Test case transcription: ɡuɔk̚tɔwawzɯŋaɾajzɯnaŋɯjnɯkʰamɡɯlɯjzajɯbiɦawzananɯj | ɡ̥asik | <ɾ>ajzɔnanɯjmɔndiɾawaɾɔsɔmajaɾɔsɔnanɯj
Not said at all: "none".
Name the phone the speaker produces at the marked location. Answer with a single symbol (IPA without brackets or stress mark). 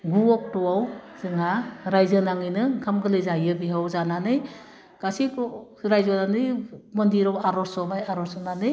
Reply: ɾ